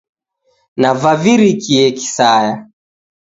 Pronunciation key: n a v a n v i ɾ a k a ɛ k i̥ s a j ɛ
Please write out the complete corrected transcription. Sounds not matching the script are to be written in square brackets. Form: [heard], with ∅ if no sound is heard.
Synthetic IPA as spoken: n a v a [∅] v i ɾ [i] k [i] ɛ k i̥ s a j [a]